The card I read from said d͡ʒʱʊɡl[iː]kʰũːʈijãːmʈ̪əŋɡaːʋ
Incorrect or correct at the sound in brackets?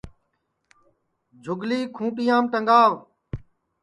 correct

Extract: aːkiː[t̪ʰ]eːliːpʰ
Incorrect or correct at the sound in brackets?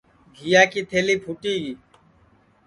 correct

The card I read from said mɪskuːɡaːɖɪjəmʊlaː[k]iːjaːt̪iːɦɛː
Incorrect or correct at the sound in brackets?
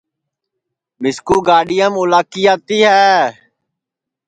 correct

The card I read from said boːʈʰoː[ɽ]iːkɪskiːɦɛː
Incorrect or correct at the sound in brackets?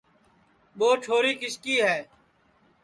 incorrect: ɾ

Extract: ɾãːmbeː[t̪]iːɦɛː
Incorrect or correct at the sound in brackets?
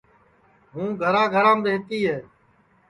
correct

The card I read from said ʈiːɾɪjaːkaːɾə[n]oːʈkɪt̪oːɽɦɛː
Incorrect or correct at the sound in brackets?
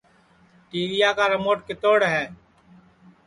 incorrect: m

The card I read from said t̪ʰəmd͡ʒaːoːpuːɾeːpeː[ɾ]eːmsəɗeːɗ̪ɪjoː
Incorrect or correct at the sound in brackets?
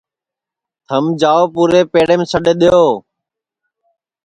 incorrect: ɽ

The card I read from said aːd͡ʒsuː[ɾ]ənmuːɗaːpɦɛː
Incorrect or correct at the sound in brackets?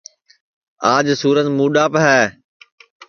correct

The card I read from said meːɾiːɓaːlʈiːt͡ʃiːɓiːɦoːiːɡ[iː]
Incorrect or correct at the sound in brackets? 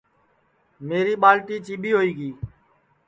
correct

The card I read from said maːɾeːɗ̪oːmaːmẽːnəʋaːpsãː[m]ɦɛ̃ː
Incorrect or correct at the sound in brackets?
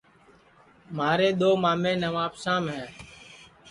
correct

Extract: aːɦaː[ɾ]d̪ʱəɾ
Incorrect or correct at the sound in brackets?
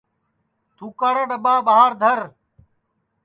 correct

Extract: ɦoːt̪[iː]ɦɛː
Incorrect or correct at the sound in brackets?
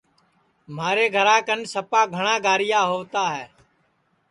incorrect: aː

